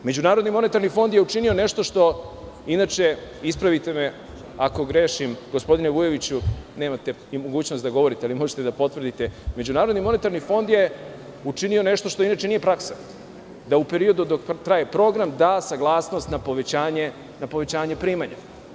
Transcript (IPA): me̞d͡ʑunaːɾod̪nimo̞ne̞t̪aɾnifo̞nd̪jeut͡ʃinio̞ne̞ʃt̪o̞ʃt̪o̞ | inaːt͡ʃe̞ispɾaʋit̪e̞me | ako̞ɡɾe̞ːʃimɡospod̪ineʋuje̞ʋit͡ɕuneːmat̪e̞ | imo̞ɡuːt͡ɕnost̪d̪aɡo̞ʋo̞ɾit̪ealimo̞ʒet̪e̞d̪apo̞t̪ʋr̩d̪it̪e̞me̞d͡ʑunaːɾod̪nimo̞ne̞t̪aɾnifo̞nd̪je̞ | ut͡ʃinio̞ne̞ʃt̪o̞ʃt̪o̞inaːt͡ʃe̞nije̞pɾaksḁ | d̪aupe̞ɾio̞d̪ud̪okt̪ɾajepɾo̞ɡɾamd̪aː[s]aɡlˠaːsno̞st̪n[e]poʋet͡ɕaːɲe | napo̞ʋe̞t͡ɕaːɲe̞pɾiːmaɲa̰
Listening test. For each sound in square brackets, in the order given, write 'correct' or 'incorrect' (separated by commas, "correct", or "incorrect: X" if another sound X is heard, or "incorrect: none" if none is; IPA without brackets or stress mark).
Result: correct, incorrect: a